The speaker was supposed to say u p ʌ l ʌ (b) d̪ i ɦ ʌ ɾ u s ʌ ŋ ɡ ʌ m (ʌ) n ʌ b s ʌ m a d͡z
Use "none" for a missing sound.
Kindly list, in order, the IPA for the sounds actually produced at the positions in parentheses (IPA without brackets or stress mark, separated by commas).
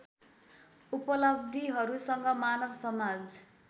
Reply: b, a